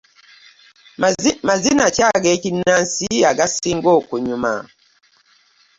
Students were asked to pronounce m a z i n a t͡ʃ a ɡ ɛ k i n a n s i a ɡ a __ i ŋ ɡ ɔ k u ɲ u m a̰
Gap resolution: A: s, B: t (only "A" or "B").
A